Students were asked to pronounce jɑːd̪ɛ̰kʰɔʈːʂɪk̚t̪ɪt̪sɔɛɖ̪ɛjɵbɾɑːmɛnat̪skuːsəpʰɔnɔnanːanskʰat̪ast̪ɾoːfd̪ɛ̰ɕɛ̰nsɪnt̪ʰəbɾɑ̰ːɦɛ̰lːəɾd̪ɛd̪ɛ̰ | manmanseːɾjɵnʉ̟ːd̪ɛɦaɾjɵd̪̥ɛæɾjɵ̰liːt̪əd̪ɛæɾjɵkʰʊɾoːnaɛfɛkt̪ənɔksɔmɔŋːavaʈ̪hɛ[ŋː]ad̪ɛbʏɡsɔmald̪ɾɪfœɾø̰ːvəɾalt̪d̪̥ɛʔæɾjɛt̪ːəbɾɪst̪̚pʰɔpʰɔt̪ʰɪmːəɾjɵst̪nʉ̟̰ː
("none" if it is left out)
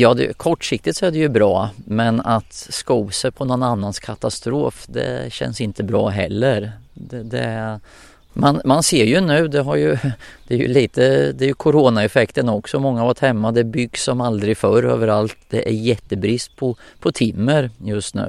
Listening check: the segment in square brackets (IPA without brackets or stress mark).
mː